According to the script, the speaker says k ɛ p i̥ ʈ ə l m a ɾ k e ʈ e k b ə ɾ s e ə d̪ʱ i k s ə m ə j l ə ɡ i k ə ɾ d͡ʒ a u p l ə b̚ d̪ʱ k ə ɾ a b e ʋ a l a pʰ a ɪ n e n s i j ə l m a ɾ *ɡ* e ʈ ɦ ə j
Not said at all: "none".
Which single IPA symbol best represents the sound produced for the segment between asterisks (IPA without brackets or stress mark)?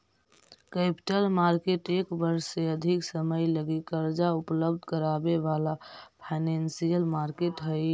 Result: k